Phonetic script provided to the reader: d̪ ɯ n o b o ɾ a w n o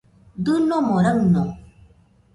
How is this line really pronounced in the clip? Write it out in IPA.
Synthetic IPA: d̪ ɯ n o m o ɾ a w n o